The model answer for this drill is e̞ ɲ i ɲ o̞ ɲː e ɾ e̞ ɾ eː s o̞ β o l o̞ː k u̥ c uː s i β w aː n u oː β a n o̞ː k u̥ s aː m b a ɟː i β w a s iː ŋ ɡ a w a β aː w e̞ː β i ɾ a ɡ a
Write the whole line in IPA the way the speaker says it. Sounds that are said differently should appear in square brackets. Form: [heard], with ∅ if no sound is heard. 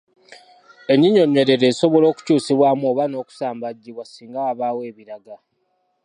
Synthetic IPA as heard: e̞ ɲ i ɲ o̞ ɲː e ɾ e̞ ɾ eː s o̞ β o l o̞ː k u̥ c uː s i β w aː [m] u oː β a n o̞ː k u̥ s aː m b a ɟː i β w a s iː ŋ ɡ a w a β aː w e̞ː β i ɾ a ɡ a